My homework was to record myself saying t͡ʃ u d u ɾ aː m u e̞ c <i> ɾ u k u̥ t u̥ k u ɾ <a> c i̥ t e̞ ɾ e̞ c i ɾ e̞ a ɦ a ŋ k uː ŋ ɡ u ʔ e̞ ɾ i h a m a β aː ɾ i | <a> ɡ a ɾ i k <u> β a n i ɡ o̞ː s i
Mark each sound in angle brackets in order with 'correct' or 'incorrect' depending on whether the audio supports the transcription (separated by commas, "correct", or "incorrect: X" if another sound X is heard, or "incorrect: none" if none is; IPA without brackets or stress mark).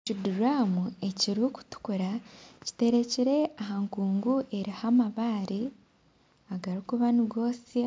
correct, correct, correct, correct